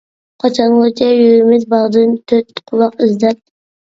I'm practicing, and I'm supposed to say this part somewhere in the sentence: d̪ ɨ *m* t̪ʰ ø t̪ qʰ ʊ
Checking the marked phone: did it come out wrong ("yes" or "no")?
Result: yes